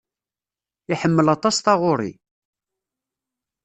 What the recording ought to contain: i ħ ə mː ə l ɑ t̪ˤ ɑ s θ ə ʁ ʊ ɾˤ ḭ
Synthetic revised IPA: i ħ ə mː ə l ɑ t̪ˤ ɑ s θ ɑ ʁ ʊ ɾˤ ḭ